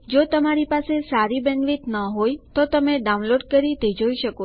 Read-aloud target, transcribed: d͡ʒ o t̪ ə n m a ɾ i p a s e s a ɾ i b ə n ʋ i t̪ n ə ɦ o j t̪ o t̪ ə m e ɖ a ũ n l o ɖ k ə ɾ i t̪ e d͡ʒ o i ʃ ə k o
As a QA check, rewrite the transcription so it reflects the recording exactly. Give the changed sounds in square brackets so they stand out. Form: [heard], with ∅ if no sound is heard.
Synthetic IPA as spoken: d͡ʒ o t̪ ə [∅] m a ɾ i p a s e s a ɾ i b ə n ʋ i t̪ n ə ɦ o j t̪ o t̪ ə m e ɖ a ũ n l o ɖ k ə ɾ i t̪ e d͡ʒ o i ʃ ə k o